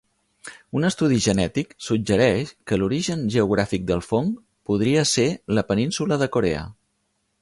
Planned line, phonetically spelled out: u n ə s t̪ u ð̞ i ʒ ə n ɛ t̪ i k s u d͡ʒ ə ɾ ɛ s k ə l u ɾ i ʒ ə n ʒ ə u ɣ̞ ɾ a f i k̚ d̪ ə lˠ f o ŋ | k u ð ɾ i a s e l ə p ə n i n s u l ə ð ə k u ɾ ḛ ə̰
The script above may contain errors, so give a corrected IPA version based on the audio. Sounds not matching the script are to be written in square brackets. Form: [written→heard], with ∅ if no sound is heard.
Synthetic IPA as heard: u n ə s t̪ u ð̞ i ʒ ə n ɛ t̪ i k s u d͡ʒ ə ɾ ɛ [s→ʃ] k ə l u ɾ i ʒ ə n ʒ ə u ɣ̞ ɾ a f i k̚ d̪ ə lˠ f o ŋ | [k→p] u ð ɾ i [a→ə] s e l ə p ə n i n s u l ə ð ə k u ɾ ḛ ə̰

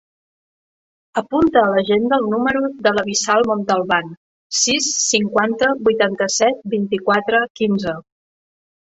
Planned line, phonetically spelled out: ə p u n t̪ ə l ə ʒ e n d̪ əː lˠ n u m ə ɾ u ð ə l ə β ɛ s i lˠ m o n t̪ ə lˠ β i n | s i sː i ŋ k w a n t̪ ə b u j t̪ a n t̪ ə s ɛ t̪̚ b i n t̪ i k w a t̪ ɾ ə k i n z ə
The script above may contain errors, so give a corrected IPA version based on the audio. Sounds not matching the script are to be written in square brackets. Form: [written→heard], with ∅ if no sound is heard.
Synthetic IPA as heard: ə p u n t̪ [ə→əː] l ə ʒ e n d̪ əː lˠ n u m ə ɾ u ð ə l ə β [ɛ→i] s [i→a] lˠ m o n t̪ ə lˠ β [i→a] n | s i sː i ŋ k w a n t̪ ə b u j t̪ a n t̪ ə s ɛ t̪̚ b i n t̪ i k w a t̪ ɾ ə k i n z ə

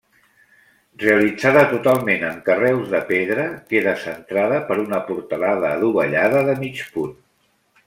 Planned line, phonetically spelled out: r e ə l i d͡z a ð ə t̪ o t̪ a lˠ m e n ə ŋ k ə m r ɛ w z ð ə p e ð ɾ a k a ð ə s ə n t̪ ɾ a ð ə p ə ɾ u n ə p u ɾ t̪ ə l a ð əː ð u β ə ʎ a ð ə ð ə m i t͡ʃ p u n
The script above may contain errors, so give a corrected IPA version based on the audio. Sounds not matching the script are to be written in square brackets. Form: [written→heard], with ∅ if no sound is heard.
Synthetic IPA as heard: r e ə l i d͡z a ð ə t̪ [o→u] t̪ a lˠ m e n ə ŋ k ə [m→∅] r ɛ w z ð ə p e ð ɾ [a→ə] k [a→e] ð ə s ə n t̪ ɾ a ð ə p ə ɾ u n ə p u ɾ t̪ ə l a ð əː ð u β ə ʎ a ð ə ð ə m i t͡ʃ p u n

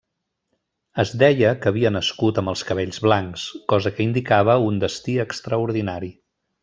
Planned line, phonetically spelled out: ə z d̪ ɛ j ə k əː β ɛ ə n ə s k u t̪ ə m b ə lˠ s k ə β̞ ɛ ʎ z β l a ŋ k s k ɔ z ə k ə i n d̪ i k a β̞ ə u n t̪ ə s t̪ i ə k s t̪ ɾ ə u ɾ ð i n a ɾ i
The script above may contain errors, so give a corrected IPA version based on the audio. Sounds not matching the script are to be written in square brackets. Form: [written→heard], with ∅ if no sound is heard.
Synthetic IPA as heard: ə z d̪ ɛ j ə k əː β [ɛ→i] ə n ə s k u t̪ ə m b ə lˠ s k ə β̞ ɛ ʎ z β l a ŋ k s k ɔ z ə k ə i n d̪ i k a β̞ ə u n [t̪→d̪] ə s t̪ i ə k s t̪ ɾ ə u ɾ ð i n a ɾ i

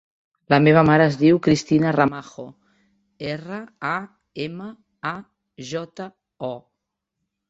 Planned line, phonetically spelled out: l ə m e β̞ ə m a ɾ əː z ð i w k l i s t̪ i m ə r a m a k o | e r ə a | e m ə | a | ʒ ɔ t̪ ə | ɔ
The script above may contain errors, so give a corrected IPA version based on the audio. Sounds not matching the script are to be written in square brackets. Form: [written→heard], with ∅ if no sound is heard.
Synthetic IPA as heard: l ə m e β̞ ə m a ɾ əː z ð i w k [l→ɾ] i s t̪ i [m→n] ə r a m a [k→x] o | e r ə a | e m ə | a | ʒ ɔ t̪ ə | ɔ

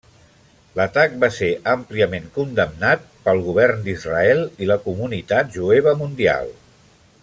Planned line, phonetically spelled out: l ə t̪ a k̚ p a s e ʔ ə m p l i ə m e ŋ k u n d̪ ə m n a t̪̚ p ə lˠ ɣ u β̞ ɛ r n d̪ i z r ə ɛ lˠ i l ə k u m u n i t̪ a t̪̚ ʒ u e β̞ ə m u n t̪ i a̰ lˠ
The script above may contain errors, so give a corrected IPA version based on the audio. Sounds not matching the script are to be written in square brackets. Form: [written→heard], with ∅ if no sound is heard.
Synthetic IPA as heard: l ə t̪ a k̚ [p→b] a s e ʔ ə m p l i ə m e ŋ k u n d̪ ə m n a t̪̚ p ə lˠ ɣ u β̞ ɛ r n d̪ i z r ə ɛ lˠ i l ə k u m u n i t̪ a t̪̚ ʒ u e β̞ ə m u n [t̪→d̪] i a̰ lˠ

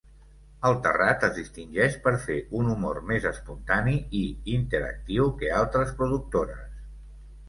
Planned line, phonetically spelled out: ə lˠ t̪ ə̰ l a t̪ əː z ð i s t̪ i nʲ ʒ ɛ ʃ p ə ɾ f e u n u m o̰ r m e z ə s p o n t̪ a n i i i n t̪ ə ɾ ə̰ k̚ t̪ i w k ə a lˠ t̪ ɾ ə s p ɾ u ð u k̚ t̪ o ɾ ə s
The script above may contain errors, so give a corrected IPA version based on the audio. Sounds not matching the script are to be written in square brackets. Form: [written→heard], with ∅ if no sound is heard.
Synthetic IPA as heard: ə lˠ t̪ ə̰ [l→r] a t̪ [əː→ə] z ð i s t̪ i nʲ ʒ ɛ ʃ p ə ɾ f e u n u m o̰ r m e z ə s p [o→u] n t̪ a n i i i n t̪ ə ɾ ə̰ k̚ t̪ i w k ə a lˠ t̪ ɾ ə s p ɾ u ð u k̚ t̪ o ɾ ə s

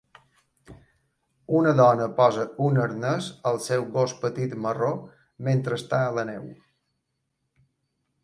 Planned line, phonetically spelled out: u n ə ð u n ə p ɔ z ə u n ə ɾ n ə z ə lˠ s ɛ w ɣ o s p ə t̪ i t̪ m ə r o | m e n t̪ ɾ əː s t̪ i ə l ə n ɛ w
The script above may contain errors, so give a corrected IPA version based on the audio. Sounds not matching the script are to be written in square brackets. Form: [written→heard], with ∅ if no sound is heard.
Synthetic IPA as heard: u n ə ð [u→ɔ] n ə p ɔ z ə u n ə ɾ n ə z ə lˠ s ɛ w ɣ o s p ə t̪ i t̪ m ə r o | m e n t̪ ɾ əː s t̪ [i→a] ə l ə n ɛ w

